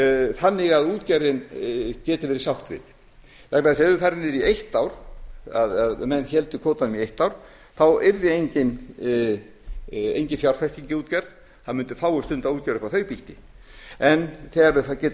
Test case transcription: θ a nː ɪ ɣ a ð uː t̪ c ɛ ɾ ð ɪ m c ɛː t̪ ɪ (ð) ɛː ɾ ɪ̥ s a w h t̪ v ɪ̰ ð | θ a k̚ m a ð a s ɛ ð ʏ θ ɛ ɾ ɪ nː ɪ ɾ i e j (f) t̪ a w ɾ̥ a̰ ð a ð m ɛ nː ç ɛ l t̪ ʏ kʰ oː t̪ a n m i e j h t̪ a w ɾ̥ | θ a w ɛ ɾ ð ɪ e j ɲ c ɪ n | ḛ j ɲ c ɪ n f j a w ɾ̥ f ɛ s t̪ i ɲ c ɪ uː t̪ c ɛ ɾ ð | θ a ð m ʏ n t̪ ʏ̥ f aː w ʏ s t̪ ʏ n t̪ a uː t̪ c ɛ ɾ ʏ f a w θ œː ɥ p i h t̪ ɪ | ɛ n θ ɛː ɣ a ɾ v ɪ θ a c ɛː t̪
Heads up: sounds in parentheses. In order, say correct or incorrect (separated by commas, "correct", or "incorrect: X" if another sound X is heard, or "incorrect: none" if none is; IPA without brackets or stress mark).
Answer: incorrect: v, incorrect: h